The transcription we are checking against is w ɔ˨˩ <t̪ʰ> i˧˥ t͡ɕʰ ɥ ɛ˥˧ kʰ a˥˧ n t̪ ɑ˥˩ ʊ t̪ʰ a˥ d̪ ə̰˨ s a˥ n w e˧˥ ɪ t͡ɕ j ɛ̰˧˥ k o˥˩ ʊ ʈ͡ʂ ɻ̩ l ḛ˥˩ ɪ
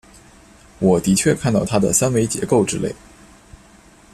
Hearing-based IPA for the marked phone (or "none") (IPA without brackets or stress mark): t̪